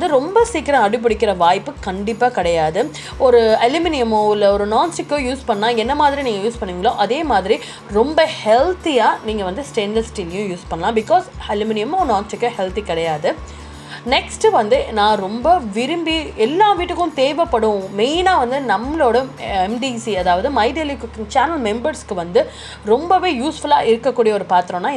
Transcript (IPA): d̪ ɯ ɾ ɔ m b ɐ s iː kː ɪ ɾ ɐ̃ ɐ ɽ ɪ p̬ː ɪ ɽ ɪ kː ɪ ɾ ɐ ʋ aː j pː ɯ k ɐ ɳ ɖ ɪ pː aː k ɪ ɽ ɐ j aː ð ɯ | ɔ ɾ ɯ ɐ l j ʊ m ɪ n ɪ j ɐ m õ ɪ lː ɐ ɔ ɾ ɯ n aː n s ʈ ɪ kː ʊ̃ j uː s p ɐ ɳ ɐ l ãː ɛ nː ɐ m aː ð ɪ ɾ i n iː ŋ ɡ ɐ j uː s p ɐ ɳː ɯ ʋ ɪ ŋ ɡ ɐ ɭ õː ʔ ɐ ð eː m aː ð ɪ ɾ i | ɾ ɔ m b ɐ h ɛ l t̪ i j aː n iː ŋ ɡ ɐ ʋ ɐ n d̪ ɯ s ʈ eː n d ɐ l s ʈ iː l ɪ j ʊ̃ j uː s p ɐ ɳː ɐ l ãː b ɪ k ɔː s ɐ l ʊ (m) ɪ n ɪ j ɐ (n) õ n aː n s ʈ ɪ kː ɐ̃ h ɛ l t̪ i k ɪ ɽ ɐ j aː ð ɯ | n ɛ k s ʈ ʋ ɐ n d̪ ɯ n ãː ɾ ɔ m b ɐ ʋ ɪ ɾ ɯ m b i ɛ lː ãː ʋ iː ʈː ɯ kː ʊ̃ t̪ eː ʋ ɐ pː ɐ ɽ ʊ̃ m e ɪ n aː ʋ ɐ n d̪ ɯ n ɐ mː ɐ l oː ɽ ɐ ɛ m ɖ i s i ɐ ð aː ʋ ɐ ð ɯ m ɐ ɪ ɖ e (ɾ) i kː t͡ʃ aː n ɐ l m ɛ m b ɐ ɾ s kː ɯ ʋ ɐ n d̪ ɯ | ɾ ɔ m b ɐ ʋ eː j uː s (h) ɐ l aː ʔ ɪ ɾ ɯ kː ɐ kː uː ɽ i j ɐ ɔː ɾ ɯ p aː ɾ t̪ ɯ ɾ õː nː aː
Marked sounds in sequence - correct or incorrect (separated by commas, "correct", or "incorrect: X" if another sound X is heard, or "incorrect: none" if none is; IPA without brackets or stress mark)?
correct, incorrect: m, incorrect: l, incorrect: f